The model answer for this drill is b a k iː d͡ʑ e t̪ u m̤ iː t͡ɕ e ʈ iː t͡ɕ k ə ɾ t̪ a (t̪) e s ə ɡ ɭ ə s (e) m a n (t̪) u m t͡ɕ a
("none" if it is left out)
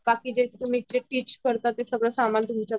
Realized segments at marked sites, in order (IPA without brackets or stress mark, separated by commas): t̪, a, t̪